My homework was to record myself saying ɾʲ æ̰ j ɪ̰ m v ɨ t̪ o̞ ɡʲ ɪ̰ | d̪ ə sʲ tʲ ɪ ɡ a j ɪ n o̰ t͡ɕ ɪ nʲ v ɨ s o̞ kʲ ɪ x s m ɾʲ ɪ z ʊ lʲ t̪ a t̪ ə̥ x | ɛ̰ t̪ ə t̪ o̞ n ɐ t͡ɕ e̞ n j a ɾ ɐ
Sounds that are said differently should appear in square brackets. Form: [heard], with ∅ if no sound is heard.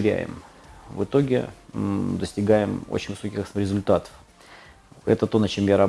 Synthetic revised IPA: ɾʲ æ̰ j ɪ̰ m v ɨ t̪ o̞ ɡʲ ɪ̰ | d̪ ə sʲ tʲ ɪ ɡ a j ɪ [m] o̰ t͡ɕ ɪ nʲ v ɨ s o̞ kʲ ɪ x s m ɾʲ ɪ z ʊ lʲ t̪ a t̪ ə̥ [f] | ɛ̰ t̪ ə t̪ o̞ n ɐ t͡ɕ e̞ [m] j a ɾ ɐ

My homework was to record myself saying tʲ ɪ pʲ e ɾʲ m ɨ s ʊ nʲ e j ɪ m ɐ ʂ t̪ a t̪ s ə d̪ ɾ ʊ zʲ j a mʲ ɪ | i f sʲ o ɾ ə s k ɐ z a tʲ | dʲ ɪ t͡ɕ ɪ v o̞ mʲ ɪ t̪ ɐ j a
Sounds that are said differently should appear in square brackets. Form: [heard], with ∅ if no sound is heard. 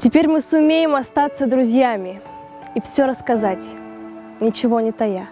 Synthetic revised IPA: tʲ ɪ pʲ e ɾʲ m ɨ s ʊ [mʲ] e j ɪ m ɐ [s] t̪ a t̪ s ə d̪ ɾ ʊ zʲ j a mʲ ɪ | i f sʲ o ɾ ə s k ɐ z a tʲ | [nʲ] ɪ t͡ɕ ɪ v o̞ [nʲ] ɪ t̪ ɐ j a

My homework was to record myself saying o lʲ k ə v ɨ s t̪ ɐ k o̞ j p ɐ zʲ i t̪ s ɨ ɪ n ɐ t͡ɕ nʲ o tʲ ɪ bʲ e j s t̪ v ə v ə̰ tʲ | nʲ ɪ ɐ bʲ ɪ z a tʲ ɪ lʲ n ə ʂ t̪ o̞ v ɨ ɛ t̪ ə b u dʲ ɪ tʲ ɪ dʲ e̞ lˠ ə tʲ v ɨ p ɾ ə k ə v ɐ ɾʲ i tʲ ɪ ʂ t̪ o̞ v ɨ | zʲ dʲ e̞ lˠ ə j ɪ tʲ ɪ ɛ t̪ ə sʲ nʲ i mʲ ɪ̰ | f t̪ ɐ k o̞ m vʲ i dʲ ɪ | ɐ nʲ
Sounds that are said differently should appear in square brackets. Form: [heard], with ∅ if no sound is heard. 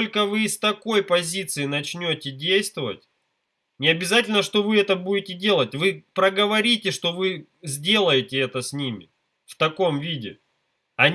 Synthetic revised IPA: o lʲ k ə v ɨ s t̪ ɐ k o̞ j p ɐ zʲ i t̪ s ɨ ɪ n ɐ t͡ɕ nʲ o tʲ ɪ [dʲ] e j s t̪ v ə v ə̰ tʲ | nʲ ɪ ɐ bʲ ɪ z a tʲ ɪ lʲ n ə ʂ t̪ o̞ v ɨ ɛ t̪ ə b u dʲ ɪ tʲ ɪ dʲ e̞ lˠ ə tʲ v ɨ p ɾ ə [ɡ] ə v ɐ ɾʲ i tʲ ɪ ʂ t̪ o̞ v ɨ | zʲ dʲ e̞ lˠ ə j ɪ tʲ ɪ ɛ t̪ ə sʲ nʲ i mʲ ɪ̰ | f t̪ ɐ k o̞ m vʲ i dʲ ɪ | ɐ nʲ

